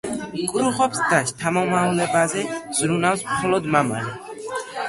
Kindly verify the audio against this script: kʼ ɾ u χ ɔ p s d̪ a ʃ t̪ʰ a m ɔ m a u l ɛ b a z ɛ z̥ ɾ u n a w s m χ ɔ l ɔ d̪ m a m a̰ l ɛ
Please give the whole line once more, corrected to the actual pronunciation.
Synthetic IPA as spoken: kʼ ɾ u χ ɔ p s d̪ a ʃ t̪ʰ a m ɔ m a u l ɛ b a z ɛ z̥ ɾ u n a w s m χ ɔ l ɔ d̪ m a m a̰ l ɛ